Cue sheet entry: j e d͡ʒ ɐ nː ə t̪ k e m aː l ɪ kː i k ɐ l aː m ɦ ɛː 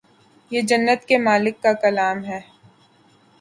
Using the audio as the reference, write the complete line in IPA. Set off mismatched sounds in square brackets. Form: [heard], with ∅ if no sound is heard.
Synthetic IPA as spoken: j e d͡ʒ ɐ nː ə t̪ k e m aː l ɪ kː [a] k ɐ l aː m ɦ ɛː